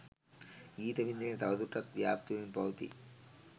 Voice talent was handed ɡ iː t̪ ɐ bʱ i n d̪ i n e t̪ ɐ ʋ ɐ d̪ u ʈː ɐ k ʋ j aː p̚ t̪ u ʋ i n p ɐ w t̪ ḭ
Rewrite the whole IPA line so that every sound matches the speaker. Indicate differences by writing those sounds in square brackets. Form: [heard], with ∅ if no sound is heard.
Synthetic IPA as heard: ɡ iː t̪ ɐ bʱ i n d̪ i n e t̪ ɐ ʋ ɐ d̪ u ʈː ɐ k ʋ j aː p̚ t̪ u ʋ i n p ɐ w t̪ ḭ